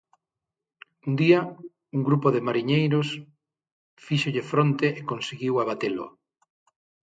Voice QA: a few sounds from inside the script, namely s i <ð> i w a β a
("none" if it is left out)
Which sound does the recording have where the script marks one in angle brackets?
ɣ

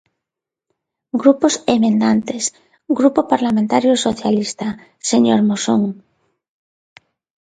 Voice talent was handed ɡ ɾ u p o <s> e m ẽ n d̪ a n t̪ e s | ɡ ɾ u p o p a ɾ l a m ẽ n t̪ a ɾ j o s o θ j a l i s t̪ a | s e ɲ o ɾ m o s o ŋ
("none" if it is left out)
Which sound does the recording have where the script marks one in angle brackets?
s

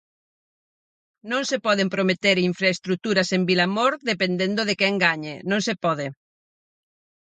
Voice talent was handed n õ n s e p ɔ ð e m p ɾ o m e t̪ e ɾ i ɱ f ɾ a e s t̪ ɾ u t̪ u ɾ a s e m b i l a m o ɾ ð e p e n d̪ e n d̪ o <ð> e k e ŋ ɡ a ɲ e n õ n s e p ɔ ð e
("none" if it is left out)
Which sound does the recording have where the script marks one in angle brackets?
ð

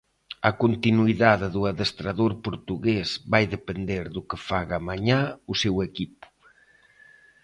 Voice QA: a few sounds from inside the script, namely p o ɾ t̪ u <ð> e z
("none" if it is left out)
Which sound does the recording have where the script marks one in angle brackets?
ɣ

